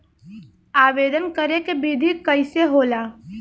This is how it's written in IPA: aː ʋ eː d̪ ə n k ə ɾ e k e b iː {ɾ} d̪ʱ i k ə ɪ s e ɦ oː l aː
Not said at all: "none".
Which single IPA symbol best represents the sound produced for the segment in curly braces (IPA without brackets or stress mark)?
none